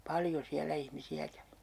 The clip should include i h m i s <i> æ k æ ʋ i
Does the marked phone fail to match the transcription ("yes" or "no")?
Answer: no